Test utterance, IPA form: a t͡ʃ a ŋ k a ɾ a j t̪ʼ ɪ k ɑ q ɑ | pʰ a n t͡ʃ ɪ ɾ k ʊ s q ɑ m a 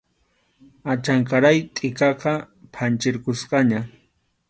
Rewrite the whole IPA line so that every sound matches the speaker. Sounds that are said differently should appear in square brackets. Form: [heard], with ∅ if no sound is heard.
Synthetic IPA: a t͡ʃ a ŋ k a ɾ a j t̪ʼ ɪ k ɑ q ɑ | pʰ a n t͡ʃ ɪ ɾ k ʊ s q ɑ [ɲ] a